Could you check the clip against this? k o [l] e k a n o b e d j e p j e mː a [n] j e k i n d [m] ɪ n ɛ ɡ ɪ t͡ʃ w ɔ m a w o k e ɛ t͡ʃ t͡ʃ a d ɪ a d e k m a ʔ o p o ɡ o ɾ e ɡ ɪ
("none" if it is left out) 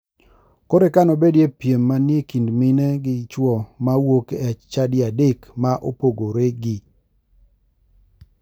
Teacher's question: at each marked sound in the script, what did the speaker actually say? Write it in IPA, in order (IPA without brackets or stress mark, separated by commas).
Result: ɾ, n, m